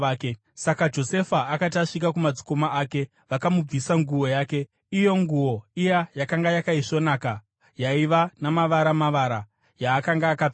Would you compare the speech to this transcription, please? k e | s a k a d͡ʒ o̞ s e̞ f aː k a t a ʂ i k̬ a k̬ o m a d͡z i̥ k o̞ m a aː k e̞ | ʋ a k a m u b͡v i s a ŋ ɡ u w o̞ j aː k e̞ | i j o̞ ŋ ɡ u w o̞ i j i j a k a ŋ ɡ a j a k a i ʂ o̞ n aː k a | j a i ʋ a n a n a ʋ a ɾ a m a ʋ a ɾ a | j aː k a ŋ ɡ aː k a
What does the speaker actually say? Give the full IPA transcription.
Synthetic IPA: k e | s a k a d͡ʒ o̞ s e̞ f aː k a t a ʂ i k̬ a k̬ u m a d͡z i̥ k o̞ m a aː k e̞ | ʋ a k a m u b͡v i s a ŋ ɡ u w o̞ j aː k e̞ | i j o̞ ŋ ɡ u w o̞ i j a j a k a ŋ ɡ a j a k a i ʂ o̞ n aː k a | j a i ʋ a n a m a ʋ a ɾ a m a ʋ a ɾ a | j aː k a ŋ ɡ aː k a